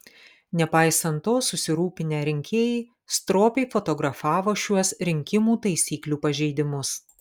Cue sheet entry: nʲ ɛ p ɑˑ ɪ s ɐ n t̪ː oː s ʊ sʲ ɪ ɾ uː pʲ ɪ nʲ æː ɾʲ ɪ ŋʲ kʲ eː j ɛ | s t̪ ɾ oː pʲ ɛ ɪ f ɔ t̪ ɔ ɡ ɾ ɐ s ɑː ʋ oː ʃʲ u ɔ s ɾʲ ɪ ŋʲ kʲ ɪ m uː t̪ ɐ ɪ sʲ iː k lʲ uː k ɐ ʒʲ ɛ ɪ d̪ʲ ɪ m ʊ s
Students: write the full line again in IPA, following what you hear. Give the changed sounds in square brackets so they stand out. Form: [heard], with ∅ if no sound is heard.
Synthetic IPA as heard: nʲ ɛ p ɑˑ ɪ s ɐ n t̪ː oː s ʊ sʲ ɪ ɾ uː pʲ ɪ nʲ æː ɾʲ ɪ ŋʲ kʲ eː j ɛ | s t̪ ɾ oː pʲ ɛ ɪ f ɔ t̪ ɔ ɡ ɾ ɐ [f] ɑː ʋ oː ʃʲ u ɔ s ɾʲ ɪ ŋʲ kʲ ɪ m uː t̪ ɐ ɪ sʲ iː k lʲ uː [p] ɐ ʒʲ ɛ ɪ d̪ʲ ɪ m ʊ s